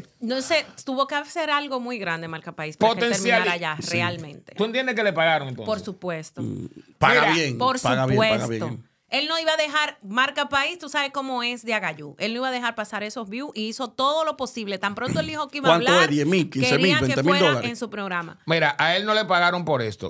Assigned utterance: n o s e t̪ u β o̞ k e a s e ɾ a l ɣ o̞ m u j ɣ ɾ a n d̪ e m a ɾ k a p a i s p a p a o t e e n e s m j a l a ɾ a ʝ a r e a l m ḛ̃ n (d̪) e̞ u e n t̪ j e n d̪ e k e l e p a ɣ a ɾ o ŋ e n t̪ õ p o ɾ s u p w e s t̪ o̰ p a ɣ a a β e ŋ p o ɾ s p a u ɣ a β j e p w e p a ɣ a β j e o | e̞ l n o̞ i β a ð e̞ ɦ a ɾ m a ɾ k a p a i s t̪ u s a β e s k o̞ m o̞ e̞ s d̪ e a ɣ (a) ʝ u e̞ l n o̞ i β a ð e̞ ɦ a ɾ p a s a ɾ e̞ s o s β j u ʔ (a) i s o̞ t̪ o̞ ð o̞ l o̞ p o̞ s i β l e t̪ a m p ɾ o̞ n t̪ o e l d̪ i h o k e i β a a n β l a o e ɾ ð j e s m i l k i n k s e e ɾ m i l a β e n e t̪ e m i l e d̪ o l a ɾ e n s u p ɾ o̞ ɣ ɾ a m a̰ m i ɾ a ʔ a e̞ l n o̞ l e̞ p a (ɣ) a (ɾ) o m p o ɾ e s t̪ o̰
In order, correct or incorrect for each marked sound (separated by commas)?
incorrect, correct, incorrect, correct, correct